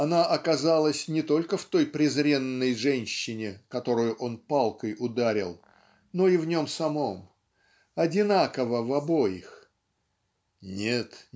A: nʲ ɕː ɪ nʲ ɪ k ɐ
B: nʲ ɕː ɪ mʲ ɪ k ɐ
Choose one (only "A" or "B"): A